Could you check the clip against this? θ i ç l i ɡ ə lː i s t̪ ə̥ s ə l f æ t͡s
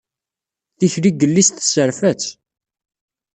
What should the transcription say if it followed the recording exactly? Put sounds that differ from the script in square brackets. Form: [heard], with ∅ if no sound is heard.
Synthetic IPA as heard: θ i ç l i ɡ ə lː i s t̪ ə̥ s ə [ɾ] f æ t͡s